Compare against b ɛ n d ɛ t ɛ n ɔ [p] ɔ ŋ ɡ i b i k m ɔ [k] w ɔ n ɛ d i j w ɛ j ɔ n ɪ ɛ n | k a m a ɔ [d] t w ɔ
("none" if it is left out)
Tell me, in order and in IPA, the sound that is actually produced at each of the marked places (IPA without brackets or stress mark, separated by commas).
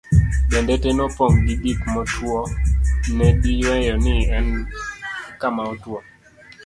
p, t, none